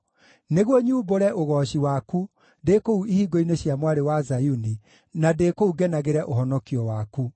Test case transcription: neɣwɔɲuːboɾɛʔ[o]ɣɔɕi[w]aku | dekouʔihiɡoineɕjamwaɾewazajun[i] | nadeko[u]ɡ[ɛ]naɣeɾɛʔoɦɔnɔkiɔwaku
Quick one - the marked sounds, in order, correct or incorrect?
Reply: correct, correct, correct, correct, correct

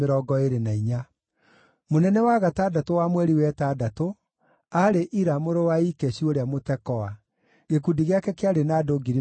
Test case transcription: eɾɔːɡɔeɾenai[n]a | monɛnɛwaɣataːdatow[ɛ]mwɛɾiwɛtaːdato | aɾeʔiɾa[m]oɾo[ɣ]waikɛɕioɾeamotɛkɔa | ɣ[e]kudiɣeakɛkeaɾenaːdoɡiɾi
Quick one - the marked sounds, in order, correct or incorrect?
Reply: incorrect: ɲ, incorrect: a, correct, incorrect: none, correct

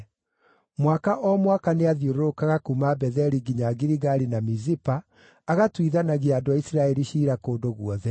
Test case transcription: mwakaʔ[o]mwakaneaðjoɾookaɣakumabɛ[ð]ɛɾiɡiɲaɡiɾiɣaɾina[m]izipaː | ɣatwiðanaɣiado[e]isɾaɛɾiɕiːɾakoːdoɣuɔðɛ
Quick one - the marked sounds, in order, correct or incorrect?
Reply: incorrect: ɔ, correct, correct, incorrect: a

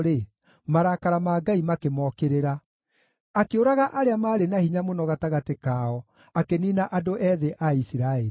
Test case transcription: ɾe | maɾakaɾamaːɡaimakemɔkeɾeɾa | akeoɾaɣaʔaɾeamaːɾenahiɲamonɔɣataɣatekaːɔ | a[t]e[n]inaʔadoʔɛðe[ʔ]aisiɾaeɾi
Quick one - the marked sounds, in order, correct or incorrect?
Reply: incorrect: k, correct, correct

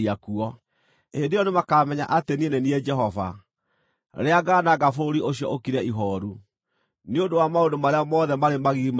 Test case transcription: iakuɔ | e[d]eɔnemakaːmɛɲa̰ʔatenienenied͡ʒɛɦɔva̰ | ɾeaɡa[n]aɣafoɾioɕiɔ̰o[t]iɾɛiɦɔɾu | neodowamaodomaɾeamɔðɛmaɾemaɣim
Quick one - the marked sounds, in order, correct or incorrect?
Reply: correct, correct, incorrect: k

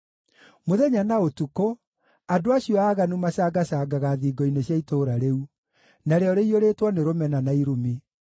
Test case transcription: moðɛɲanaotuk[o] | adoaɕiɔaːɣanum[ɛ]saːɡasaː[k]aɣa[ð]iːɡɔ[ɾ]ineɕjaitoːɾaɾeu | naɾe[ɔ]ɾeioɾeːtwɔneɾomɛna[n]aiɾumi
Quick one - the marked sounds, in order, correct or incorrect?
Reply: correct, incorrect: a, incorrect: ɡ, correct, incorrect: none, correct, correct

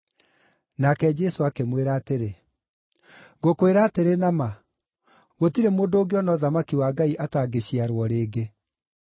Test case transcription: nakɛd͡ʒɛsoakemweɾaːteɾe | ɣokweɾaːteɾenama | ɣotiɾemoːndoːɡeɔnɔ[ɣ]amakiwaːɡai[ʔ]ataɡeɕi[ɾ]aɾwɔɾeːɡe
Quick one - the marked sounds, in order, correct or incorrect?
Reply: incorrect: ð, correct, incorrect: none

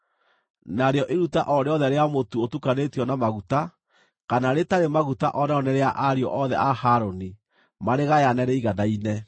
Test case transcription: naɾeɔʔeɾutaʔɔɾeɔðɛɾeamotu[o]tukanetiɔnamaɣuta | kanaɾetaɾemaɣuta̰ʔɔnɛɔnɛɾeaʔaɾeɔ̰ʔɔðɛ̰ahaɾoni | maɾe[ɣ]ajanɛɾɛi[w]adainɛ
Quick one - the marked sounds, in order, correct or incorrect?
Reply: correct, correct, incorrect: ɣ

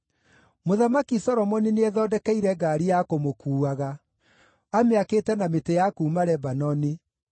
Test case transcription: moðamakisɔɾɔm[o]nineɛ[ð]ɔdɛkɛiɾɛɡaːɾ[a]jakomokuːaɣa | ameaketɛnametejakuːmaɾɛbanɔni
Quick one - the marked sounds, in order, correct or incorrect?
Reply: incorrect: ɔ, correct, incorrect: i

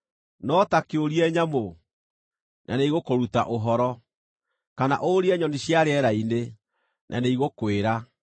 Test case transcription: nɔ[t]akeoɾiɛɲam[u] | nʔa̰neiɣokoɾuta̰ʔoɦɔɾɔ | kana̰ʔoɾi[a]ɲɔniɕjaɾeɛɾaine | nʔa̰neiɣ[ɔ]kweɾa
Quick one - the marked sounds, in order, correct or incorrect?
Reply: correct, incorrect: o, incorrect: ɛ, incorrect: o

